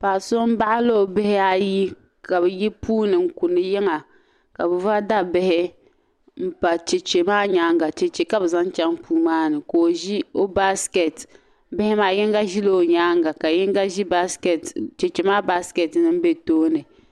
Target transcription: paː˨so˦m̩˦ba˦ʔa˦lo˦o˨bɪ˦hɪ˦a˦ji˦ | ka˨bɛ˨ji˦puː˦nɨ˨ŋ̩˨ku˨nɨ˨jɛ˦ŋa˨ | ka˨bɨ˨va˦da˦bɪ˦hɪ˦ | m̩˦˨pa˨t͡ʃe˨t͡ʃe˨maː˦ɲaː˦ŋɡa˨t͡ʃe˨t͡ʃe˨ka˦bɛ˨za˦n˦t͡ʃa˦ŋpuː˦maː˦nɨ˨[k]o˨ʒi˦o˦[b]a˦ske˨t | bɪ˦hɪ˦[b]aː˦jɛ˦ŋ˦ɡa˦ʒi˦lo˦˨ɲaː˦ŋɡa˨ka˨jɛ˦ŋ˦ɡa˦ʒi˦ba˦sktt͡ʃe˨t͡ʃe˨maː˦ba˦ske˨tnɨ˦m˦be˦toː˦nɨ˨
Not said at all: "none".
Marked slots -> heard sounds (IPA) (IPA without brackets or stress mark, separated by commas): k, b, m